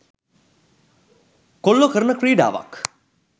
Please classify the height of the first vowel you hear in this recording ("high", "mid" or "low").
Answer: mid